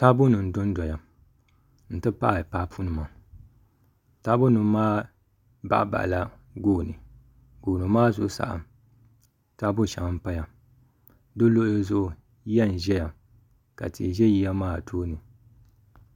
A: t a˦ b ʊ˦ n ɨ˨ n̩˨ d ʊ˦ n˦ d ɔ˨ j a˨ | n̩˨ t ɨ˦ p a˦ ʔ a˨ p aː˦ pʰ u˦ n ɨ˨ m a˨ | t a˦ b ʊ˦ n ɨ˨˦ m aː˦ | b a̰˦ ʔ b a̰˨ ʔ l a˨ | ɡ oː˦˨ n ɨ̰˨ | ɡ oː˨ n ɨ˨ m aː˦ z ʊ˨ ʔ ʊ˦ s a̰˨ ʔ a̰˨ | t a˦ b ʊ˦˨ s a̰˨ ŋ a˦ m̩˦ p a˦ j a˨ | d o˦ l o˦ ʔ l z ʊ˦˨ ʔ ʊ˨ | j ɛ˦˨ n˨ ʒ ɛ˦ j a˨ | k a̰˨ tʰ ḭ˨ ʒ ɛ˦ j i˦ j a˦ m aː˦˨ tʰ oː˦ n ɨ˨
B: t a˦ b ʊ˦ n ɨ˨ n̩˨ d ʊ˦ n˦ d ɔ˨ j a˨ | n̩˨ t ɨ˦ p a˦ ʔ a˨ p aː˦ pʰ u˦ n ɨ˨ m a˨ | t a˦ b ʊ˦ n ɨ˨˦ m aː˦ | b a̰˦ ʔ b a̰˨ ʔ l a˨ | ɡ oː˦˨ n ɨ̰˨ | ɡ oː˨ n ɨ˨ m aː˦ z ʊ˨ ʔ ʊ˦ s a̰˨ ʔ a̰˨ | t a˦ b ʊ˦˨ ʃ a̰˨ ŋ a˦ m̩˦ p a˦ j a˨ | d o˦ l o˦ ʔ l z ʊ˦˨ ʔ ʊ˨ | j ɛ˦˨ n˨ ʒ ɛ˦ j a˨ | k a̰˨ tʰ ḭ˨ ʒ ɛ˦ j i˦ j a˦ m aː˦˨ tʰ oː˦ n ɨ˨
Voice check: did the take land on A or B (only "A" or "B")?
B